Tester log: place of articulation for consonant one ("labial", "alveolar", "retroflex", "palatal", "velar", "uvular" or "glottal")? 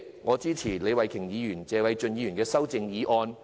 velar